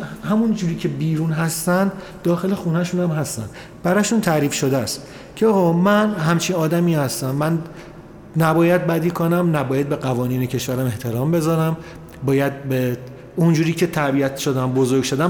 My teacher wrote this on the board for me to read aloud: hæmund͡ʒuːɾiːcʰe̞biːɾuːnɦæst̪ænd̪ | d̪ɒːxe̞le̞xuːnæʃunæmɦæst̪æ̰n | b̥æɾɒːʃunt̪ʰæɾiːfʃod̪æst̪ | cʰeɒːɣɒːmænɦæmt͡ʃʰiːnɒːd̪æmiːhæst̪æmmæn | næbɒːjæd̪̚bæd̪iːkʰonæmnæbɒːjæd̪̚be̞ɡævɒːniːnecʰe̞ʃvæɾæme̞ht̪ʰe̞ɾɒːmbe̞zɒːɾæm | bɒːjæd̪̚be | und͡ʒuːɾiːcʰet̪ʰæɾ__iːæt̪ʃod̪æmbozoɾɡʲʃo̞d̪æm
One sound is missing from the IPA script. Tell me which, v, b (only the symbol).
b